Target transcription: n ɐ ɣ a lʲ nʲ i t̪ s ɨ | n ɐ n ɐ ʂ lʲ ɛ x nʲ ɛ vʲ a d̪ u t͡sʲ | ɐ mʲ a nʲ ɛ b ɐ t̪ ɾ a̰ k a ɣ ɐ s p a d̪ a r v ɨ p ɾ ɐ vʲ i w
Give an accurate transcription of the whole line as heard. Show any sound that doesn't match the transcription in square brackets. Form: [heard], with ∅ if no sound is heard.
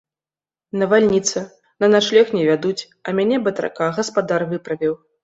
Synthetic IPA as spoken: n ɐ [v] a lʲ nʲ i t̪ s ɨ | n ɐ n [a] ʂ lʲ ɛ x nʲ ɛ vʲ a d̪ u t͡sʲ | ɐ mʲ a nʲ ɛ b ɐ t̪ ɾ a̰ k a ɣ ɐ s p a d̪ a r v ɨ p ɾ ɐ vʲ i w